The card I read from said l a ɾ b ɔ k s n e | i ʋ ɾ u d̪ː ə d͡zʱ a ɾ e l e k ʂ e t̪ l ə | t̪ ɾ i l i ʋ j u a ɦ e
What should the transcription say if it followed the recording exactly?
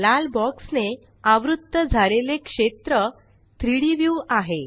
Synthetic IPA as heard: l a l b ɔ k s n e | a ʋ ɾ u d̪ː ə d͡zʱ a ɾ e l e k ʂ e t̪ ɾ ə | t̪ ɾ i ɽ i ʋ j u a ɦ e

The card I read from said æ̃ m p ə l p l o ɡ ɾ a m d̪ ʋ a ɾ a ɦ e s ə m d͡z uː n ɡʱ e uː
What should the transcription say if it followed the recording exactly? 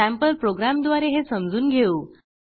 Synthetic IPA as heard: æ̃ m p ə l p ɾ o ɡ ɾ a m d̪ ʋ a ɾ e ɦ e s ə m d͡z uː n ɡʱ e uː

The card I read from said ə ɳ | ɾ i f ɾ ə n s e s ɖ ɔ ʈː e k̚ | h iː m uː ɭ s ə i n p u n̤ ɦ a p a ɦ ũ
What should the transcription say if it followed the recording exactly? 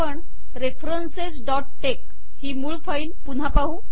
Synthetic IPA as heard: ə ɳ | ɾ e f ɾ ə n s e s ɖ ɔ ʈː e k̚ | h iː m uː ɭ f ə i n p u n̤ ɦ a p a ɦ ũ

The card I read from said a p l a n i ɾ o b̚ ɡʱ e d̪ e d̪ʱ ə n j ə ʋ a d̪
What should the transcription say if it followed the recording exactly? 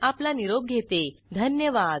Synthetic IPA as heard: a p l a n i ɾ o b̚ ɡʱ e t̪ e d̪ʱ ə n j ə ʋ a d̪

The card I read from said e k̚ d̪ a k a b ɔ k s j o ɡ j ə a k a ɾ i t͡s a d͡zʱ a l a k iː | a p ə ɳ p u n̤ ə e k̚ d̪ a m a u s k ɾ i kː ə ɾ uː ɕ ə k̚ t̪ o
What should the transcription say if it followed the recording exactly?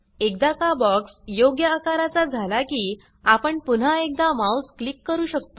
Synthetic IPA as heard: e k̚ d̪ a k a b ɔ k s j o ɡ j ə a k a ɾ a t͡s a d͡zʱ a l a k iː | a p ə ɳ p u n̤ a e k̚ d̪ a m a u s k l i kː ə ɾ uː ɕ ə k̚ t̪ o

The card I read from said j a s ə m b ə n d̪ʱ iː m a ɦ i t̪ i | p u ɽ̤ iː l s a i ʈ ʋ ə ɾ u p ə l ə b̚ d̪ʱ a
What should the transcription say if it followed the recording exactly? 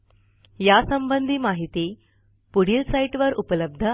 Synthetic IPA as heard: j a s ə m b ə n d̪ʱ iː m a ɦ i t̪ i | p u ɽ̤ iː l s a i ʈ ʋ ə ɾ u p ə l ə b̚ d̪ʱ ə

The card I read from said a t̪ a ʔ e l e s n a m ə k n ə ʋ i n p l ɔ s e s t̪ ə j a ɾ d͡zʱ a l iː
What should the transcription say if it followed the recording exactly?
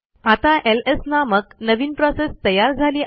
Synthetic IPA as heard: a t̪ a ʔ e l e s n a m ə k n ə ʋ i n p ɾ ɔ s e s t̪ ə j a ɾ d͡zʱ a l iː

